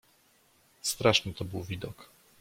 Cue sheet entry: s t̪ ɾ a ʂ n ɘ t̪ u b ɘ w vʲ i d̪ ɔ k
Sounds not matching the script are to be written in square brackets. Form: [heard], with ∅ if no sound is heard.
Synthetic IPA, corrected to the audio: s t̪ ɾ a ʂ n ɘ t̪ [ɔ] b ɘ w vʲ i d̪ ɔ k